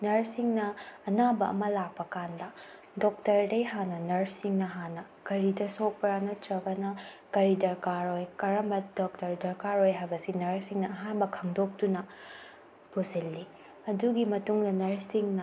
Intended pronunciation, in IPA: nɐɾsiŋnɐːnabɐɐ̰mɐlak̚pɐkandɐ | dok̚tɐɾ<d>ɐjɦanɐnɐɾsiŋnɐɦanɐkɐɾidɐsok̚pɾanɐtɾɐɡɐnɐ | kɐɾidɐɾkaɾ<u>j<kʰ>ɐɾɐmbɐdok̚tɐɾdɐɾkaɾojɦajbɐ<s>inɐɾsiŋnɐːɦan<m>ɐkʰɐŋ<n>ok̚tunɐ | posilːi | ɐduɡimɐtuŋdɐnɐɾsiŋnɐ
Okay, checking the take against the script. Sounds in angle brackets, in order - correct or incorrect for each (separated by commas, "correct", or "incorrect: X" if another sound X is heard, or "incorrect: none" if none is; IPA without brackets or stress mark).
correct, incorrect: o, incorrect: k, correct, incorrect: b, incorrect: d